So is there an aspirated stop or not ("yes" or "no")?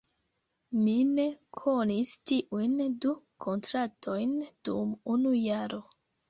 yes